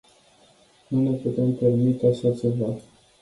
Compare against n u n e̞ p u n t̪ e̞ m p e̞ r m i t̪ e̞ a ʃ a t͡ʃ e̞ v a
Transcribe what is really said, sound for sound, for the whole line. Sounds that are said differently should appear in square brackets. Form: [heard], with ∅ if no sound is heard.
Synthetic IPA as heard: n u n e̞ p u [∅] t̪ e̞ m p e̞ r m i t̪ e̞ a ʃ a t͡ʃ e̞ v a